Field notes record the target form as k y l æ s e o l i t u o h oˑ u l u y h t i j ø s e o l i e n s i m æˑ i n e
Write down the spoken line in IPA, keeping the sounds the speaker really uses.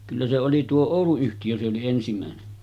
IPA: k y lː æ s e o l i t u o oˑ u l u y h t i j ø s e o l i e n s i m æˑ e n e

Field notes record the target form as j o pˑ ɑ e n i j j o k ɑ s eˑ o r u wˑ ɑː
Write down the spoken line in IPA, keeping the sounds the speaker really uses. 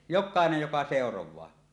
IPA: j o kˑ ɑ e n e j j o k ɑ s eˑ o r o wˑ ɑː

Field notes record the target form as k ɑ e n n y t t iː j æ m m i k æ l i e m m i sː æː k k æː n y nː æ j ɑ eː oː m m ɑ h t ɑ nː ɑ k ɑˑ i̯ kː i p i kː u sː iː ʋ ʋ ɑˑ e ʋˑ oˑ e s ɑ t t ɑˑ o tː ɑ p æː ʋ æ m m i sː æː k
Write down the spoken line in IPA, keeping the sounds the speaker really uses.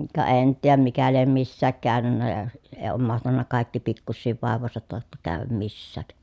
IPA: k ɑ e n n y t t iː j æ m m i k æ l i e m m i sː æː k k æː n y nː æ j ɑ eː oː m m ɑ h t ɑ nː ɑ k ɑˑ i̯ kː i p i kː u sː iː ʋ ʋ ɑˑ e ʋˑ oˑ e s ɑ t t ɑˑ o tː ɑ k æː ʋ æ m m i sː æː k

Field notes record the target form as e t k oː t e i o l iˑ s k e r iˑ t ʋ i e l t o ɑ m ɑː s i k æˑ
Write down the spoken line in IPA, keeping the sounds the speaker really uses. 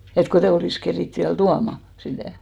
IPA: e t k o t e i o l iˑ s k e r iˑ t ʋ i æ l t u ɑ m ɑ s i t æˑ

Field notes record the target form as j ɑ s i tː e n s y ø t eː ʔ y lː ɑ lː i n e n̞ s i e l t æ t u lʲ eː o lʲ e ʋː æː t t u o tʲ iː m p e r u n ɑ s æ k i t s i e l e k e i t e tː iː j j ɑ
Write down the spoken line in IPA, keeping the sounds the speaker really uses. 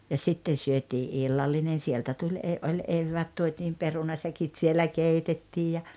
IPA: j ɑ s i tː e n s y ø t iː ʔ i lː ɑ lː i n e n̞ s i e l t æ t u lʲ eː o lʲ e ʋː æː t t u o tʲ iː m p e r u n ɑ s æ k i t s i e l æ k e i t e tː iː j j ɑ

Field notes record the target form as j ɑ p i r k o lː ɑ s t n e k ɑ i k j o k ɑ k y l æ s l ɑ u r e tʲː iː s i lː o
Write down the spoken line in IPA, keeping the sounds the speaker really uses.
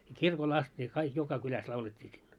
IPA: j ɑ k i r k o l ɑ s t n e k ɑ i k j o k ɑ k y l æ s l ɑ u l e tʲː iː s i lː o

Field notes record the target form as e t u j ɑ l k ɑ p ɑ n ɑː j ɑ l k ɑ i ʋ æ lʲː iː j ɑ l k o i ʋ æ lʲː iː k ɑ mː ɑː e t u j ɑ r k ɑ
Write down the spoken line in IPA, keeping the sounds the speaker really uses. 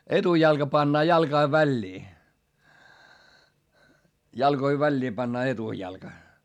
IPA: e t u j ɑ l k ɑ p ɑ nː ɑː j ɑ l k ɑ i ʋ æ lʲː iː j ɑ l k o i ʋ æ lʲː iː p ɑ nː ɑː e t u j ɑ l k ɑ

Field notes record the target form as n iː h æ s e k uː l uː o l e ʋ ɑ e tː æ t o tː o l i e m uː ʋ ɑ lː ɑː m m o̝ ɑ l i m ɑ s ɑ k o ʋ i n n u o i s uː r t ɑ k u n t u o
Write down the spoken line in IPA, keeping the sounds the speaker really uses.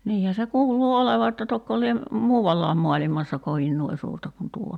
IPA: n iː h æ s e k uː l uː o l e ʋ ɑ e tː æ t o kː o l i e m uː ʋ ɑ lː ɑː m m o̝ ɑ l i m ɑ sː ɑ k o ʋ i n n u o i s uː r t ɑ k u n t u o

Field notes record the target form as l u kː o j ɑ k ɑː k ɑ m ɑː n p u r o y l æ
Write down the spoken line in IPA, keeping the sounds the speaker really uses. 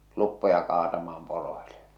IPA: l u pː o j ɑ k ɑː t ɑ m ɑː m p o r o i l e

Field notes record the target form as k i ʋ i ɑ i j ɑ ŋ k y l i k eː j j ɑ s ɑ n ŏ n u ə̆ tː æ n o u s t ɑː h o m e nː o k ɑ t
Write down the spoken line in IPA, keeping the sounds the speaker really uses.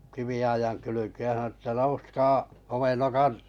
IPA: k i ʋ i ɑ i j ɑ ŋ k y l y k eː j j ɑ s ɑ n ŏ n u ə̆ tː æ n o u s k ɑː h o m e nː o k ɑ t

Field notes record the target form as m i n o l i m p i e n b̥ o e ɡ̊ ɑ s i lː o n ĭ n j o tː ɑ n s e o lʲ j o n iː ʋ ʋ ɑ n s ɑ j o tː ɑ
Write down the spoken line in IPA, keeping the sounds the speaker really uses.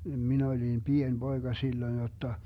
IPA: m i n o l i m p i e n b̥ o e ɡ̊ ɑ s i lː o ĭ n j o tː ɑ s e o lʲ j o n i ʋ ʋ ɑ n h ɑ j o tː ɑ

